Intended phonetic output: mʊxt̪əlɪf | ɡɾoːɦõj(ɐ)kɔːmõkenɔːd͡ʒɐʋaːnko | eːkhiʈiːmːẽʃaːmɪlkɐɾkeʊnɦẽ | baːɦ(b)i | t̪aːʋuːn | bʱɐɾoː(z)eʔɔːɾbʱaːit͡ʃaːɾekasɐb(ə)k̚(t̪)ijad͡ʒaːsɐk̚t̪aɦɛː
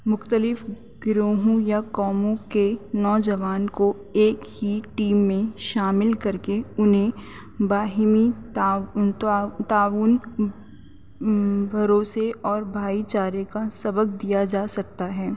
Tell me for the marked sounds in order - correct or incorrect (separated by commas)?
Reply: incorrect, incorrect, incorrect, correct, incorrect